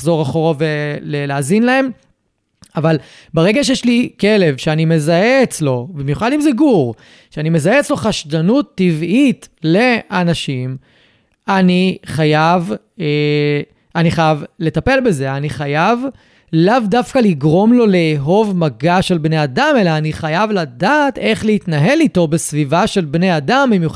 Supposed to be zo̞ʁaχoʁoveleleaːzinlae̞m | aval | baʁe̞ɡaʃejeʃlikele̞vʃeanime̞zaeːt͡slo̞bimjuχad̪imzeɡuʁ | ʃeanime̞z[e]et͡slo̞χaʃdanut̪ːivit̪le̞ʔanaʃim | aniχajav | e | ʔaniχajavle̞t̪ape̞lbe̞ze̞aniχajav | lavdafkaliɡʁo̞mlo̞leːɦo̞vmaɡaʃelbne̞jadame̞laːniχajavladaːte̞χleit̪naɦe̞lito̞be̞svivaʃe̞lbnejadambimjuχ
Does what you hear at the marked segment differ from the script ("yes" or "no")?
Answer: yes